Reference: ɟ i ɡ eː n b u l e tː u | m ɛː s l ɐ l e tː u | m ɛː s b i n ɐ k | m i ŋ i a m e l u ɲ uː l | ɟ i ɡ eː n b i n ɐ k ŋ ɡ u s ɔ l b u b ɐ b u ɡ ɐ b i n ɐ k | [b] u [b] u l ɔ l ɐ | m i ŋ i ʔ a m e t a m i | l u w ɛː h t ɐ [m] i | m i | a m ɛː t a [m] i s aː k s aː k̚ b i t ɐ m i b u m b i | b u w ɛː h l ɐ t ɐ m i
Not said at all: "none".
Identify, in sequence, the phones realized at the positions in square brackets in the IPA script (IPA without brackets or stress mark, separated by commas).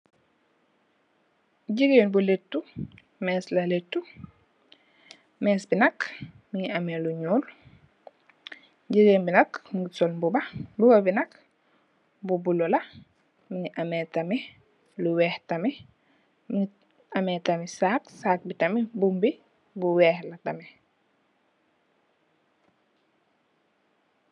b, b, m, m